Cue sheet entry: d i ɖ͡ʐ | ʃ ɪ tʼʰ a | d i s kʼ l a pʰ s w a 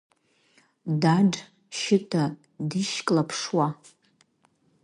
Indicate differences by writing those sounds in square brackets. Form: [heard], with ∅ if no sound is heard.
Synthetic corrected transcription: d [a] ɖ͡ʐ | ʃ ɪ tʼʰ a | d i [ʃ] kʼ l a pʰ [ʂ] w a